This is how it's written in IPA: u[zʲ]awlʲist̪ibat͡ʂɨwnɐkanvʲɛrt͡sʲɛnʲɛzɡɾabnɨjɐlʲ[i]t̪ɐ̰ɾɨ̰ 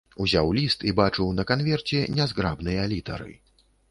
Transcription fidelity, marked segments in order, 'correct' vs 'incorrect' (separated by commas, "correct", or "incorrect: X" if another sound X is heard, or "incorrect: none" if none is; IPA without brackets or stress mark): correct, correct